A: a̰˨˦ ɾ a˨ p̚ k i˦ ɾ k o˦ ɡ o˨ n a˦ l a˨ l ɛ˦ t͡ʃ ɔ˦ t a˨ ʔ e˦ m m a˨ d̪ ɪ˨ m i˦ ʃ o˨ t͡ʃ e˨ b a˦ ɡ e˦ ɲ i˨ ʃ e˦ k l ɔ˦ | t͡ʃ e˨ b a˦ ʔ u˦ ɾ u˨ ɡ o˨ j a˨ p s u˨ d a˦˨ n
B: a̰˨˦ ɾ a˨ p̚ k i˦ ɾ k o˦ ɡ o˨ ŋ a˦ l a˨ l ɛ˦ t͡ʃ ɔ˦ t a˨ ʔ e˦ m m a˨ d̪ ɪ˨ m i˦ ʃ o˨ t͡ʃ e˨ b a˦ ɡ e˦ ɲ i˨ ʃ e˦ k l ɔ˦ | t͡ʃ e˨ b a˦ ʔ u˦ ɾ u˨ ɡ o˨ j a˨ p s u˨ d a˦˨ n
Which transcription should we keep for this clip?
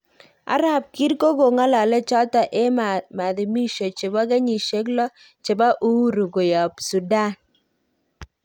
B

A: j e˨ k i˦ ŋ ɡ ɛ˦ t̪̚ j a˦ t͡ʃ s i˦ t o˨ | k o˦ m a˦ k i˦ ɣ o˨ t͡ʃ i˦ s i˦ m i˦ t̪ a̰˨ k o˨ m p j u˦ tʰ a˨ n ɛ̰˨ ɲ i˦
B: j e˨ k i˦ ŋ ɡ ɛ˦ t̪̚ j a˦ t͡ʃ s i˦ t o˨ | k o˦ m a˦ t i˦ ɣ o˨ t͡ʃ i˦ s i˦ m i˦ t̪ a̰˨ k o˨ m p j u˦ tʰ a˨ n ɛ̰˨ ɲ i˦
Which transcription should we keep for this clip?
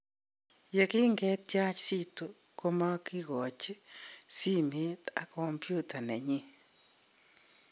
A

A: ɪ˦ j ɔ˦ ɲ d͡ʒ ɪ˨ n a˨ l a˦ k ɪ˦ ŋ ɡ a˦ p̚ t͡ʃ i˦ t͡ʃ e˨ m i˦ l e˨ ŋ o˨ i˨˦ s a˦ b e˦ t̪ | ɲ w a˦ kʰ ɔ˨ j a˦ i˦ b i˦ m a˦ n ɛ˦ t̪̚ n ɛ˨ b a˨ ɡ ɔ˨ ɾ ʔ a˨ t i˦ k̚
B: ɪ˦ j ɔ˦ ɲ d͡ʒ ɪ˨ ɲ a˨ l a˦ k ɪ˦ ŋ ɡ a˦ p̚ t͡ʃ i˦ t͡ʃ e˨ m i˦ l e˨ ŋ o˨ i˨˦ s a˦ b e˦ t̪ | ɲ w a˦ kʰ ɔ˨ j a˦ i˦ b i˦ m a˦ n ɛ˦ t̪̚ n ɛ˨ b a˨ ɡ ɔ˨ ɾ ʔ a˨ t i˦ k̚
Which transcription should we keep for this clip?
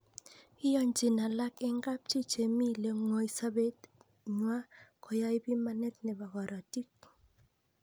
A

